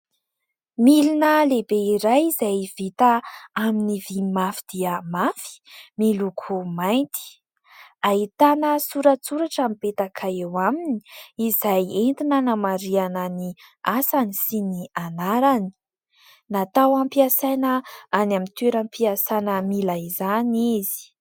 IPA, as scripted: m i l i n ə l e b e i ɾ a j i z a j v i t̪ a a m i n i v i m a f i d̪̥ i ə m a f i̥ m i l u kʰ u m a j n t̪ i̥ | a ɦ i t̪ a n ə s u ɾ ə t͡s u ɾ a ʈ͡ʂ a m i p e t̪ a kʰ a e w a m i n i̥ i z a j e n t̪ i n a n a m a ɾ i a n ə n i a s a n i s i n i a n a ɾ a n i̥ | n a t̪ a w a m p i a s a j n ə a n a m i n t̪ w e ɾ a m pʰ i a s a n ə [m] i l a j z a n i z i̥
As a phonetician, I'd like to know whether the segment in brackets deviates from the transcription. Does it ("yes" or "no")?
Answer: no